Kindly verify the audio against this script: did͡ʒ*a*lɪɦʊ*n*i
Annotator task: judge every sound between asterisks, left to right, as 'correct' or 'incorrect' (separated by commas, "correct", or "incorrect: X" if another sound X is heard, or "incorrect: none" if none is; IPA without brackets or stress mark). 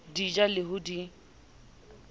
correct, incorrect: d